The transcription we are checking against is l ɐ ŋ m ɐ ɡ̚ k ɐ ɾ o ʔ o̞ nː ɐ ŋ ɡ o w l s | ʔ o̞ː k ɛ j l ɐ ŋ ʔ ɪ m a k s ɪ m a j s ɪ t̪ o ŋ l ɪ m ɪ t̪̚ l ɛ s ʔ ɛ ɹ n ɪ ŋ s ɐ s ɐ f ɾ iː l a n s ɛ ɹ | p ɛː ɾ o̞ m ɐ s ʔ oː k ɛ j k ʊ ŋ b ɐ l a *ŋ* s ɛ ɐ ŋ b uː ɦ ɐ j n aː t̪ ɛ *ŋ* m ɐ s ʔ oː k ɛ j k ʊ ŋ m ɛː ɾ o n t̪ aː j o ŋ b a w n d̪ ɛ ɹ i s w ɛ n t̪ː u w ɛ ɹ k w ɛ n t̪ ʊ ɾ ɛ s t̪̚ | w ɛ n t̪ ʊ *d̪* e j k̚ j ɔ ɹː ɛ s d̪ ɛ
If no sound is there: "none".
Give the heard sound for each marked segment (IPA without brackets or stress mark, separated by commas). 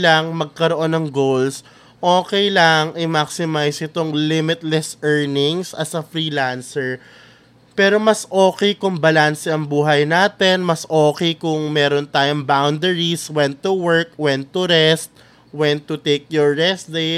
n, n, t̪